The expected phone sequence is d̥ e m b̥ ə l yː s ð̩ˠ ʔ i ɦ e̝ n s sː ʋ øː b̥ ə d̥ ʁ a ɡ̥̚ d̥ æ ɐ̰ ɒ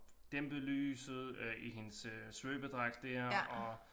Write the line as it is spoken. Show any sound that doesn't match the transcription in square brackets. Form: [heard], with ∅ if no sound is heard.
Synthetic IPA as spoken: d̥ e m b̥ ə l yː s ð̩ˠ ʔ i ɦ e̝ n s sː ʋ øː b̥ ə d̥ ʁ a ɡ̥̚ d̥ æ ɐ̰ ɒ